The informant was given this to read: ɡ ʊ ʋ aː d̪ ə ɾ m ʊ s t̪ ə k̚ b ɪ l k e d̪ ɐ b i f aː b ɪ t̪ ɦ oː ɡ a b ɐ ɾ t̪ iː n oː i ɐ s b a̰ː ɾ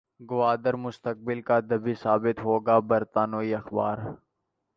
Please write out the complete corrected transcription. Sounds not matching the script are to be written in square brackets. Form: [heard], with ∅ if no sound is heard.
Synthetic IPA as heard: ɡ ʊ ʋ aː d̪ ə ɾ m ʊ s t̪ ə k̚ b ɪ l k [a] d̪ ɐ b i [s] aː b ɪ t̪ ɦ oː ɡ a b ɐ ɾ t̪ [aː] n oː i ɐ [x] b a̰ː ɾ